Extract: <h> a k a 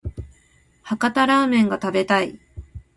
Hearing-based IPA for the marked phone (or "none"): h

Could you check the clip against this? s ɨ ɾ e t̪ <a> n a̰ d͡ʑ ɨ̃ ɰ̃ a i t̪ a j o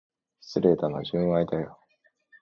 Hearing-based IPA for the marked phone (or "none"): a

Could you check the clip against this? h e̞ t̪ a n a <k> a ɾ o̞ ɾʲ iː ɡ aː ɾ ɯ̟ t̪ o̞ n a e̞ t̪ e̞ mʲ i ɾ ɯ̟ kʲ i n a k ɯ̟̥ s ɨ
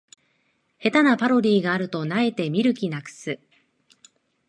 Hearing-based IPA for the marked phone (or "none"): p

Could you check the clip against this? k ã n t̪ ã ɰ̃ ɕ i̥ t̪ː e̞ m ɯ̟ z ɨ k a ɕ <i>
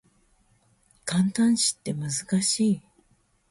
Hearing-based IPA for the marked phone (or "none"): iː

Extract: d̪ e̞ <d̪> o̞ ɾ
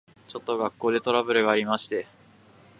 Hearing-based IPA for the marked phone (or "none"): t̪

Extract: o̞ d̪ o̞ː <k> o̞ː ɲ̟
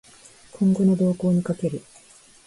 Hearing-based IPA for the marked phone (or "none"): k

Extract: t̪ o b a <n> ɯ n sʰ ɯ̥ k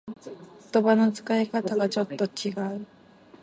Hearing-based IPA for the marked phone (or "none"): n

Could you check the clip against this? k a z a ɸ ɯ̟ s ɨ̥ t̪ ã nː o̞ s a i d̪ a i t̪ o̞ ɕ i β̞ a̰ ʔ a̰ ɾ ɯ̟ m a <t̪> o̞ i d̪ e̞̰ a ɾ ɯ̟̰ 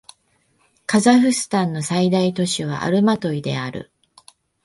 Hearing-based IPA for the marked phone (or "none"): t̪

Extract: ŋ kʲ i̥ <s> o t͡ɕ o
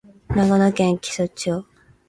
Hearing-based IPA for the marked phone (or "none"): s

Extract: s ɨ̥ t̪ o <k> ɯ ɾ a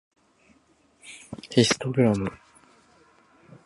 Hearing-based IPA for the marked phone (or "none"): ɡ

